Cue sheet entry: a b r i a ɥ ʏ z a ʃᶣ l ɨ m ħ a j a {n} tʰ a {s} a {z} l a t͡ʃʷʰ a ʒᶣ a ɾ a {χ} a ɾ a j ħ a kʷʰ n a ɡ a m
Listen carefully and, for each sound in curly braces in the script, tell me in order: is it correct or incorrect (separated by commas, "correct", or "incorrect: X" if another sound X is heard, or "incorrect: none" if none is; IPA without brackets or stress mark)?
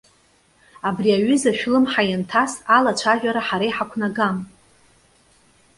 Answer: correct, correct, incorrect: none, incorrect: ħ